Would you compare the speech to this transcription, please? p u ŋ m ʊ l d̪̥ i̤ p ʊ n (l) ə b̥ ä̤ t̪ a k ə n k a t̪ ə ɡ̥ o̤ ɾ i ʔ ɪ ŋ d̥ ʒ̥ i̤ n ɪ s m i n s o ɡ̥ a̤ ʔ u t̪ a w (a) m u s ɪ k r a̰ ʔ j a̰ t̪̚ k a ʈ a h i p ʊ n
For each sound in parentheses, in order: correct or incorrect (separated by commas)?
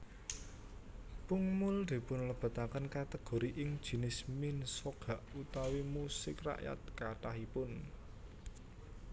correct, incorrect